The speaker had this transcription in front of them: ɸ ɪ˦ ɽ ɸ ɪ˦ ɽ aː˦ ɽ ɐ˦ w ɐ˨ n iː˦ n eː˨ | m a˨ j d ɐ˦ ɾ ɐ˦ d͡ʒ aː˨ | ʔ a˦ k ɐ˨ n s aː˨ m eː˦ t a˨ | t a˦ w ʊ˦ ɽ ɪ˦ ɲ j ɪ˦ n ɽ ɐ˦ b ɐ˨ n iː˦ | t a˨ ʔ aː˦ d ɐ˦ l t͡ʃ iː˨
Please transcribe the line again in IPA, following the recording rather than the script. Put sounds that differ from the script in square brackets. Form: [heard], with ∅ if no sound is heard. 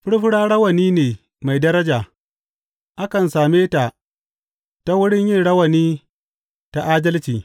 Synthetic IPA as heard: ɸ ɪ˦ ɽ ɸ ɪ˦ ɽ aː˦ ɽ ɐ˦ w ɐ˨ n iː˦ n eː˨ | m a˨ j d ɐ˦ ɾ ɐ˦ d͡ʒ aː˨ | ʔ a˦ k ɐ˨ n s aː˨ m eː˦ t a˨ | t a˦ w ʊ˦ ɽ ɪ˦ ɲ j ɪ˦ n ɽ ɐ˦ [w] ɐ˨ n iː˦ | t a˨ ʔ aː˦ d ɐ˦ l t͡ʃ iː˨

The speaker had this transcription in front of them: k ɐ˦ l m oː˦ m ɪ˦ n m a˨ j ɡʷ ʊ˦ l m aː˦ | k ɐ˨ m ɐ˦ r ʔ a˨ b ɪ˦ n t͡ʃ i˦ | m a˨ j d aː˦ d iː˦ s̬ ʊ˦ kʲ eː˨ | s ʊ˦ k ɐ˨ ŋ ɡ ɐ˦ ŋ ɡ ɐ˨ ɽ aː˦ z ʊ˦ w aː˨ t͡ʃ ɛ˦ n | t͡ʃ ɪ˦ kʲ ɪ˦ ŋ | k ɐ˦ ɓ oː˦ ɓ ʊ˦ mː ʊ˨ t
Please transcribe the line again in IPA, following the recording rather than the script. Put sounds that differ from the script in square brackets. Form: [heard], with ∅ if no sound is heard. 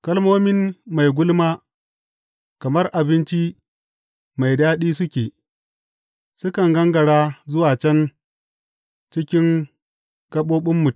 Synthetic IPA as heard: k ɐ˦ l m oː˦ m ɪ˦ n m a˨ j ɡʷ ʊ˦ l m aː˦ | k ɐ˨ m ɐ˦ r ʔ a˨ b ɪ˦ n t͡ʃ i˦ | m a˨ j d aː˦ [ɗ] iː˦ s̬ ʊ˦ kʲ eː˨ | s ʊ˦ k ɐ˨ ŋ ɡ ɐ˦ ŋ ɡ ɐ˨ ɽ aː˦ z ʊ˦ w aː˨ t͡ʃ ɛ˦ n | t͡ʃ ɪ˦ kʲ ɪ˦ ŋ | k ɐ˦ ɓ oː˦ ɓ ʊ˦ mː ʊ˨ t

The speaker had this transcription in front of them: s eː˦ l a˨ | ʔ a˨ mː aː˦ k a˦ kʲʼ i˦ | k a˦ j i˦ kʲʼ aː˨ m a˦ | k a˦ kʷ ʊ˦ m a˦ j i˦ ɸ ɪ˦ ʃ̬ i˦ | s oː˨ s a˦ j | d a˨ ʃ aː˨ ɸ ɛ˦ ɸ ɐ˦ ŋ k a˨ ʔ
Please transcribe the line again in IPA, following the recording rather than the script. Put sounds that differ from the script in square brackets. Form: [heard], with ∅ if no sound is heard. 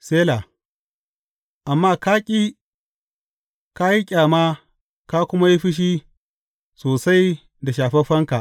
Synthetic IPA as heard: s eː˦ l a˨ | ʔ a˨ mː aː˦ k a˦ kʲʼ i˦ | k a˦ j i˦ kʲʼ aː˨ m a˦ | k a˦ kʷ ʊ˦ m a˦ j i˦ ɸ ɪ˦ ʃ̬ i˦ | s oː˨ s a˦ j | d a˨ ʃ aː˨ ɸ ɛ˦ ɸ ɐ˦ ŋ k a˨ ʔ

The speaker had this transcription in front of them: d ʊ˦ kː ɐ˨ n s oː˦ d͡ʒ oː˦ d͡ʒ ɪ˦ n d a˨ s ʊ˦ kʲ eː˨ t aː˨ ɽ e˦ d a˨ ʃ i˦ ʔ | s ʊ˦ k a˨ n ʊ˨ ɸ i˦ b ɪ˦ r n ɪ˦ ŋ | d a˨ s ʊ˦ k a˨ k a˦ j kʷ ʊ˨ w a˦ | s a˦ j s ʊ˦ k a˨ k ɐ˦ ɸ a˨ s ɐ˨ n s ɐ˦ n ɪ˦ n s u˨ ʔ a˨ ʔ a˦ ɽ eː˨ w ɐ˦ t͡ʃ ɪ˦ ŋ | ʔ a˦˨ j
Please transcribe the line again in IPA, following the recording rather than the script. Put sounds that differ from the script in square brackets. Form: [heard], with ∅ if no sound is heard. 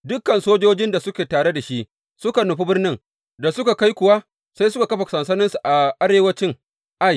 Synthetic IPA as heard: d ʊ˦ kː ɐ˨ n s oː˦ d͡ʒ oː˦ d͡ʒ ɪ˦ n d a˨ s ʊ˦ kʲ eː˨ t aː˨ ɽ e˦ d a˨ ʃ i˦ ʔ | s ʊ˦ k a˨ n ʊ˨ ɸ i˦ b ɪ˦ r n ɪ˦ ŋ | d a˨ s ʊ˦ k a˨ k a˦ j kʷ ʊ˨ w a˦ | s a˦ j s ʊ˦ k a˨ k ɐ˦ ɸ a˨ s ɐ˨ n s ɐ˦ n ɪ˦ n s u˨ ʔ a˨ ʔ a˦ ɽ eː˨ w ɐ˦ t͡ʃ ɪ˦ ŋ | ʔ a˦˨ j

